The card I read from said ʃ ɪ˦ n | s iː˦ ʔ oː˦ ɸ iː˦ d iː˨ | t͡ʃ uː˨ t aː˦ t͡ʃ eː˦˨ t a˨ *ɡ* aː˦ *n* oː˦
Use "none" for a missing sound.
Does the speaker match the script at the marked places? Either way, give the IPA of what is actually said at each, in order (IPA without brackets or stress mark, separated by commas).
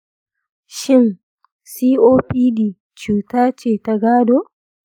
ɡ, d